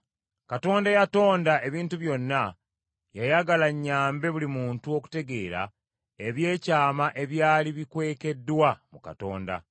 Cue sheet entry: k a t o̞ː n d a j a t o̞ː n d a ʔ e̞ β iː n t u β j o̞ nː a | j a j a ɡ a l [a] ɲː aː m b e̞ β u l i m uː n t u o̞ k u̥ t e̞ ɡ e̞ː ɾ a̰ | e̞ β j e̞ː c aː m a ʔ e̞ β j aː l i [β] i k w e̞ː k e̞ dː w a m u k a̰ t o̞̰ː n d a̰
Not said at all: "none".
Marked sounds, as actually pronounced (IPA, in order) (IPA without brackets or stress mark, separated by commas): a, β